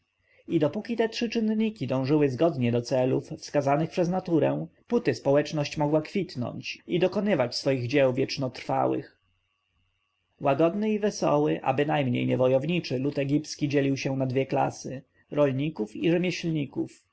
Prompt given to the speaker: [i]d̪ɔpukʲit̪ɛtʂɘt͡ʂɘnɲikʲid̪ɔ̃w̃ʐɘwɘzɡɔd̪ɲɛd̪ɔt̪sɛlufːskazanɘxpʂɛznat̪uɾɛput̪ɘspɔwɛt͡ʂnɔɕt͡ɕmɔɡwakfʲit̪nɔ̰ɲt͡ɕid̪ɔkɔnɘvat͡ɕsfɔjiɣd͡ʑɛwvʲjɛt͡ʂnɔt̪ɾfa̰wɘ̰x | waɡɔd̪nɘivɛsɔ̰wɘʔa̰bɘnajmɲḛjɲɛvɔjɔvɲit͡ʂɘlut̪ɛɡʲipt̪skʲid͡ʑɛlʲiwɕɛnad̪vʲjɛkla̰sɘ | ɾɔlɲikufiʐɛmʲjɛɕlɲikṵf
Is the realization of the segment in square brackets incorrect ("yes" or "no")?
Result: no